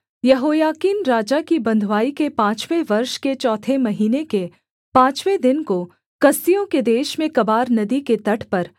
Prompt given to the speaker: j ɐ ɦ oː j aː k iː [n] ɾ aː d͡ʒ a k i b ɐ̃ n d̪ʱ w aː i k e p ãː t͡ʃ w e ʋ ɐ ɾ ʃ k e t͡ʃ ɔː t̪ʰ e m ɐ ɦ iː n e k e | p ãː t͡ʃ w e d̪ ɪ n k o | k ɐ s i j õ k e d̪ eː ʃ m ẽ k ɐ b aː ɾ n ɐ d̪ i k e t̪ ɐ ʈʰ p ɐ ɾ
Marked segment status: correct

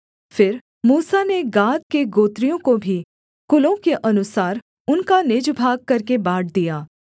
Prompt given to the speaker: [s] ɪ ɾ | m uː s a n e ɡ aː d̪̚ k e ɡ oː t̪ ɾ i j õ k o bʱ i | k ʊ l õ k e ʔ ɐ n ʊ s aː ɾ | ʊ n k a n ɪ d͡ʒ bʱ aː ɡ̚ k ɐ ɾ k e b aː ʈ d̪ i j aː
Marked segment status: incorrect: f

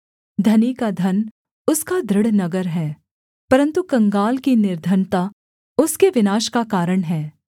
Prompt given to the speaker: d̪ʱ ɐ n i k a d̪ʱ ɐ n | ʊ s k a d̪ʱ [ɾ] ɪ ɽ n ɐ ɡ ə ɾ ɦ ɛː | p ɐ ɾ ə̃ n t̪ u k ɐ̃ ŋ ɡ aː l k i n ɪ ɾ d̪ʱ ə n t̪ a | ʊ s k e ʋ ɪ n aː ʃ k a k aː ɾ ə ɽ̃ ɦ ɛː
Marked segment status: correct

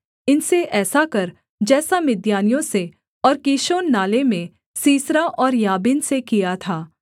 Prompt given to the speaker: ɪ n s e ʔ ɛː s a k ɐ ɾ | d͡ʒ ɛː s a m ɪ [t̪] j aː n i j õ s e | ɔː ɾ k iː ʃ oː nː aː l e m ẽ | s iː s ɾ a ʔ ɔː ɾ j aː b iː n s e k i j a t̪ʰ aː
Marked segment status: incorrect: d̪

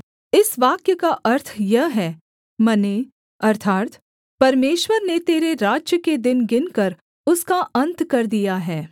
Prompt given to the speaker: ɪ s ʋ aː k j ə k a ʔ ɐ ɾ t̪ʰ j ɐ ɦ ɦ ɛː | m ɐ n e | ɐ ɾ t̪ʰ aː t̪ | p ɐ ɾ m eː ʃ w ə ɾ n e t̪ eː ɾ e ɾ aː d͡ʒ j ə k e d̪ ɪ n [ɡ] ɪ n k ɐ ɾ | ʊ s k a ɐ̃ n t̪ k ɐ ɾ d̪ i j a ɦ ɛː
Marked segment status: correct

